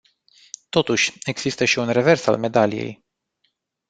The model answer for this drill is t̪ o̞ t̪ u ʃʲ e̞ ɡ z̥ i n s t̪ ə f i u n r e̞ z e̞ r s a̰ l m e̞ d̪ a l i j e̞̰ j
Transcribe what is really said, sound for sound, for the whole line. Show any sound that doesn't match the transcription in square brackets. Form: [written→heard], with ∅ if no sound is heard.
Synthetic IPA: t̪ o̞ t̪ u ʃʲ e̞ ɡ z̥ i [n→∅] s t̪ ə [f→ʃ] i u n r e̞ [z→v] e̞ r s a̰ l m e̞ d̪ a l i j e̞̰ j